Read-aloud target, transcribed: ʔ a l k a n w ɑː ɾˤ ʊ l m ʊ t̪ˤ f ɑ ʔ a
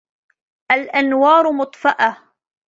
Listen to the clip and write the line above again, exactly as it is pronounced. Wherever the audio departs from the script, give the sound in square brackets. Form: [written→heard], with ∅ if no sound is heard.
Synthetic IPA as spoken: ʔ a l [k→ʔ] a n w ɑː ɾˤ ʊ [l→∅] m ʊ t̪ˤ f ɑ ʔ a